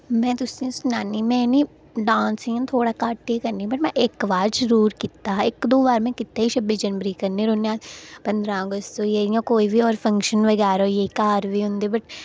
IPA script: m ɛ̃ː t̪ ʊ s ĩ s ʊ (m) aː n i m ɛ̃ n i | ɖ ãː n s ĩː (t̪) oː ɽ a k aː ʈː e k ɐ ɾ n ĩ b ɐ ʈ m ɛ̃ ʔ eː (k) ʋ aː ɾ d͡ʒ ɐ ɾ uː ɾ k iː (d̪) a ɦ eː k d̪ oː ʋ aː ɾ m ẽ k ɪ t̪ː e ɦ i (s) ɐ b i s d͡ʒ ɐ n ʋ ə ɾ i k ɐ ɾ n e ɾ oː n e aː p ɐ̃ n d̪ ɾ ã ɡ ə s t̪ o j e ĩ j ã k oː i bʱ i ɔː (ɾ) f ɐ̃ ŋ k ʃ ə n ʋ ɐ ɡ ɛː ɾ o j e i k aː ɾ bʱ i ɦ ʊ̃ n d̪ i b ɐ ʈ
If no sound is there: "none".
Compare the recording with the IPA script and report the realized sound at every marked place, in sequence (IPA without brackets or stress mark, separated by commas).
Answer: n, t̪ʰ, k, t̪, ʃ, ɾ